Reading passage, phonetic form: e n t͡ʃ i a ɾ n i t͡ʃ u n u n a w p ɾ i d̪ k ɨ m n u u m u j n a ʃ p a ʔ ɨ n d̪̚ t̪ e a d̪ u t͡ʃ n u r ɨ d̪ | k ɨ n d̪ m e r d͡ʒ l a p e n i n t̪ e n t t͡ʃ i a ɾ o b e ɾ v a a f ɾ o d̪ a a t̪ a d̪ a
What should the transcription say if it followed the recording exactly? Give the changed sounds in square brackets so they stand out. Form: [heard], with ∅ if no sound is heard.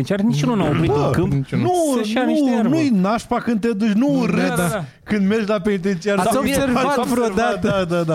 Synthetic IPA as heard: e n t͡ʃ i a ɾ n i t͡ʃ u n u n a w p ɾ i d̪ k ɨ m n u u [n] u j n a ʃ p a [k] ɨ n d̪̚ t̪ e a d̪ u t͡ʃ n u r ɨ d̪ | k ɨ n d̪ m e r d͡ʒ l a p e n i [∅] t̪ e n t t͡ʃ i a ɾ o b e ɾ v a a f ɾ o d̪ a a [d̪] a d̪ a